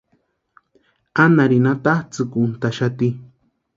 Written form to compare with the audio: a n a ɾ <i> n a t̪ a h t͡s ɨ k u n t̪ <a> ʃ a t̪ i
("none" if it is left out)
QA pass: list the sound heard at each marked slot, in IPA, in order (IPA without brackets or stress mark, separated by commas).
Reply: i, a